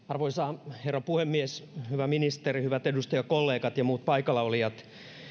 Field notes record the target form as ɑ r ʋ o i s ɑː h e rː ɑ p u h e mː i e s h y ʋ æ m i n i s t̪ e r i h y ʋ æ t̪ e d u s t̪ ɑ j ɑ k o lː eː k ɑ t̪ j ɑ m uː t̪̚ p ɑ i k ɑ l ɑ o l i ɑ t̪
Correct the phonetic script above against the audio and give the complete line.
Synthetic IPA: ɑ r ʋ o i s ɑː h e rː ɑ p u h e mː i e s h y ʋ æ m i n i s t̪ e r i h y ʋ æ t̪ e d u s t̪ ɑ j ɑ k o lː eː k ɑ t̪ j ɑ m uː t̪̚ p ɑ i k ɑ l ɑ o l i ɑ t̪